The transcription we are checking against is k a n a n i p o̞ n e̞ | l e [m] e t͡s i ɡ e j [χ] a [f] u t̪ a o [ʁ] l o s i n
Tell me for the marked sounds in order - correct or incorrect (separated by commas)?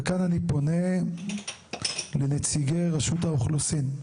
incorrect, incorrect, incorrect, incorrect